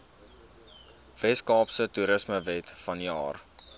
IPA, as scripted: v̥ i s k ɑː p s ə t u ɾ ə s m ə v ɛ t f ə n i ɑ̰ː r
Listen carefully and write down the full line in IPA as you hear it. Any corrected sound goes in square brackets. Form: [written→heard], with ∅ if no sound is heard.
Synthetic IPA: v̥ [i→ɛ] s k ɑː p s ə t u ɾ ə s m ə v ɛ t f [ə→ɐ] n i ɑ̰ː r